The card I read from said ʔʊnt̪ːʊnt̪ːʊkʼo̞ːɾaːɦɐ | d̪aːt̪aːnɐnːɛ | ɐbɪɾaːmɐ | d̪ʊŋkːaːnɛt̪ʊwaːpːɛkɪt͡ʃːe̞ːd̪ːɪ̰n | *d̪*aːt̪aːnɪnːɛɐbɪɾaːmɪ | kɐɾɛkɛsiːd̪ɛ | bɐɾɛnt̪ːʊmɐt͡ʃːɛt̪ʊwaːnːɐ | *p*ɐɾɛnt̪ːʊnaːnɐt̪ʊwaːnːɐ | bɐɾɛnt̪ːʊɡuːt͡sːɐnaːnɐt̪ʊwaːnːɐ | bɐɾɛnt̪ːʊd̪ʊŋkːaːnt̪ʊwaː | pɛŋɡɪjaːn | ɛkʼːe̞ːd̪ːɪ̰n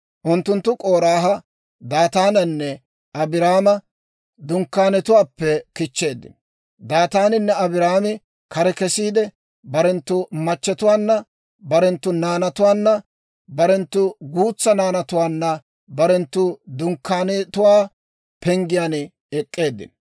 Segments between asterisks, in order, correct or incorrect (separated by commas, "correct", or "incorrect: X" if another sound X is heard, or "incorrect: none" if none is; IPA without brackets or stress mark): correct, incorrect: b